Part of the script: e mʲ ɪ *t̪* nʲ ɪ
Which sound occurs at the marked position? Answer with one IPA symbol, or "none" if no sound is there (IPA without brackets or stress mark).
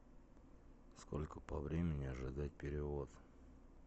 none